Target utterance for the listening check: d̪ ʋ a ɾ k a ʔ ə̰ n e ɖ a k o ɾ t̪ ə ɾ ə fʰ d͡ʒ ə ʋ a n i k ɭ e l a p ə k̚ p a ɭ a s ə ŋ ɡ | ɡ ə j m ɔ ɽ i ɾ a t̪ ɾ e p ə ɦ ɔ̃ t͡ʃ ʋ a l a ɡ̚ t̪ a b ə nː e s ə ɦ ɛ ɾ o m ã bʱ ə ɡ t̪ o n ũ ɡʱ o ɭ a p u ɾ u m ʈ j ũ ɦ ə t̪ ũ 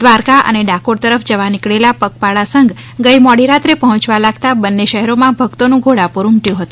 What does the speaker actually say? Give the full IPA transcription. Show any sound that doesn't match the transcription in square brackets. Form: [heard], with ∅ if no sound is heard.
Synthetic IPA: d̪ ʋ a ɾ k a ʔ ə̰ n e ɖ a k o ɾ t̪ ə ɾ ə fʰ d͡ʒ ə ʋ a n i k ɭ e l a p ə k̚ p a ɭ a s ə ŋ ɡ | ɡ ə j m ɔ ɽ i ɾ a t̪ ɾ e p ə ɦ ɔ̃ t͡ʃ ʋ a l a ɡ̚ t̪ a b ə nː e [ʃ] ə ɦ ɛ ɾ o m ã bʱ ə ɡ t̪ o n ũ ɡʱ o [ɽ] a p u ɾ u m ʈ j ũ ɦ ə t̪ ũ